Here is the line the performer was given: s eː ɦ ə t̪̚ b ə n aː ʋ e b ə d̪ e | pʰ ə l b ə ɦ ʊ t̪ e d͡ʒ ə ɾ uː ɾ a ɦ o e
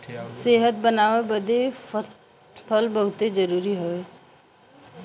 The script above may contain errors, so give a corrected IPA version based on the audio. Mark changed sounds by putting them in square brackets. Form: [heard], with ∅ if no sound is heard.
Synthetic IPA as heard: s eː ɦ ə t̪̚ b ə n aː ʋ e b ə d̪ e | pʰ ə l b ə ɦ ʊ t̪ e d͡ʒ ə ɾ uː ɾ [i] ɦ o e